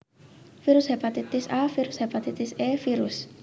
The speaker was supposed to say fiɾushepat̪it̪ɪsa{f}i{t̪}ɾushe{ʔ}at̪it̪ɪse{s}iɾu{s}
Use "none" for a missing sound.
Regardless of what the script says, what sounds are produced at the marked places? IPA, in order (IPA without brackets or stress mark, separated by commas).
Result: f, none, p, f, s